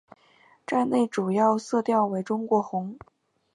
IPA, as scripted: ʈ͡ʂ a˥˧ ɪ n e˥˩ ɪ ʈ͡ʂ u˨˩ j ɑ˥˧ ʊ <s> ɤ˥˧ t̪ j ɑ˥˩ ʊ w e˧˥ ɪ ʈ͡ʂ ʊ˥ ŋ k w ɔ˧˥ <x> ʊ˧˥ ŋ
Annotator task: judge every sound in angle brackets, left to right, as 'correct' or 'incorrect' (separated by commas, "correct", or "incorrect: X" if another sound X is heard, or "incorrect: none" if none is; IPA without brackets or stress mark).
correct, correct